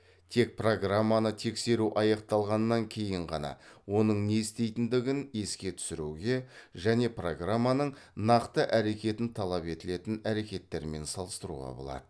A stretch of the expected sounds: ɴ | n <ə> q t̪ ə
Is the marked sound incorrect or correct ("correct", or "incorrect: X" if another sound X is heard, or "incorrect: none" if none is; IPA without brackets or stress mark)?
incorrect: ɑ